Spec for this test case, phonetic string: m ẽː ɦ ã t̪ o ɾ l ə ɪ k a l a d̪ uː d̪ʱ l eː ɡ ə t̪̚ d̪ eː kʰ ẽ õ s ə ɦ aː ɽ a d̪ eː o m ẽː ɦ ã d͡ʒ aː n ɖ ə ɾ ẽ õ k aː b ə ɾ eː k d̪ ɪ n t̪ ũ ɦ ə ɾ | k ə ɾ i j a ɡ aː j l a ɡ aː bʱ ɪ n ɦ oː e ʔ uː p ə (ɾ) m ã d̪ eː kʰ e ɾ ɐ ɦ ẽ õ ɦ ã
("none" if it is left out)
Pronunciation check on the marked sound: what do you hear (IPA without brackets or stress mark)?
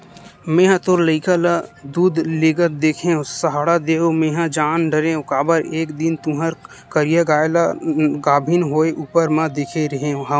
ɾ